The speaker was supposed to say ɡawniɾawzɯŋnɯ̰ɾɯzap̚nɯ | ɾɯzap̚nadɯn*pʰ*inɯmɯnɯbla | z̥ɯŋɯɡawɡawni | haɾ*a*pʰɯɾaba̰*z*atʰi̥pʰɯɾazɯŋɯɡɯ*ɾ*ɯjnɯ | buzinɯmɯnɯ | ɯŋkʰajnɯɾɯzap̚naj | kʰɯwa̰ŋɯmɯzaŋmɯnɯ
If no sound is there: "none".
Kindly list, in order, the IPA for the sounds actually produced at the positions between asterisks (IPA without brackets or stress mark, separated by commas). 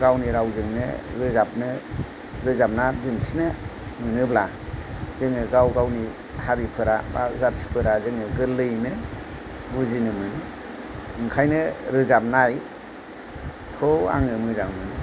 tʰ, i, z, l